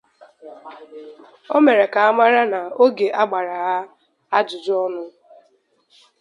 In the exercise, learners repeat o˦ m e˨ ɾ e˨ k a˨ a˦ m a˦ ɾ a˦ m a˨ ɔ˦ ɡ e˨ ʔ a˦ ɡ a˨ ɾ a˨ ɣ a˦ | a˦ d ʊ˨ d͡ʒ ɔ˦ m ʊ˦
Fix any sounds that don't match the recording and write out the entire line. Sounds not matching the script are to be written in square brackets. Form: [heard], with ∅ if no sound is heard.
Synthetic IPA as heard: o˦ m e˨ ɾ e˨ k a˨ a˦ m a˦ ɾ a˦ [n] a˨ [o˦] ɡ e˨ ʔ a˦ [ɡ͡b] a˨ ɾ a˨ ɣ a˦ | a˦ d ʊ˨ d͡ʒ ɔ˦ [n] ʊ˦